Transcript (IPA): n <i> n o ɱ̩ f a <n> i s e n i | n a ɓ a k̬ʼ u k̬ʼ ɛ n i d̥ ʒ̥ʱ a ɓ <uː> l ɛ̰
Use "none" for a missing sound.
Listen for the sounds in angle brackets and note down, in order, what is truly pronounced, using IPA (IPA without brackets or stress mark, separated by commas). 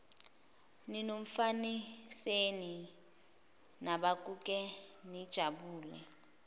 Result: i, n, uː